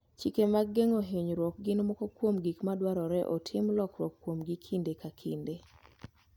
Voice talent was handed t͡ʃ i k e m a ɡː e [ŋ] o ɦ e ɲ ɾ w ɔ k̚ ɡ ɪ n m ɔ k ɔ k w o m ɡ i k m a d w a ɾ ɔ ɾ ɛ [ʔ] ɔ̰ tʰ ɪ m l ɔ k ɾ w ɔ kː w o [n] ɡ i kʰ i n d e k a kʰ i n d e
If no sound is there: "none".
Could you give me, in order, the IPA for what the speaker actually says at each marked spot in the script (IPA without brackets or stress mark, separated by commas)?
ŋ, ʔ, m